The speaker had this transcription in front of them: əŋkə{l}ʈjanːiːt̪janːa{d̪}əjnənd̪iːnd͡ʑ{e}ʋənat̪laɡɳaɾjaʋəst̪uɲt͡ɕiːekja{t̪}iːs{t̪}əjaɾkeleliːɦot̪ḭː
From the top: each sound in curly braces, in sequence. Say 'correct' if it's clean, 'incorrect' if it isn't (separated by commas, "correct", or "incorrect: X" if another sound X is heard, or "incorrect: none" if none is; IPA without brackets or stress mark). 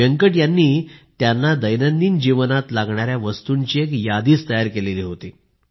incorrect: none, correct, incorrect: i, incorrect: d̪, correct